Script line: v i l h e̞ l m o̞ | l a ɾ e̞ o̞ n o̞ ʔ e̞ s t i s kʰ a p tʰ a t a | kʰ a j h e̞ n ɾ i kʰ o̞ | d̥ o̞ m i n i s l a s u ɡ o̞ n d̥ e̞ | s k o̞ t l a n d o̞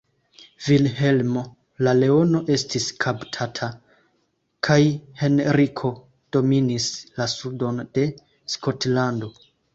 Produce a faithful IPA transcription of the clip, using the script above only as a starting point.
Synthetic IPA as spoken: v i l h e̞ l m o̞ | l a l e̞ o̞ n o̞ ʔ e̞ s t i s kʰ a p tʰ a tʰ a | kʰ a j h e̞ n ɾ i kʰ o̞ | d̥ o̞ m i n i s l a s u d o̞ n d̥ e̞ | s k o̞ t l a n d o̞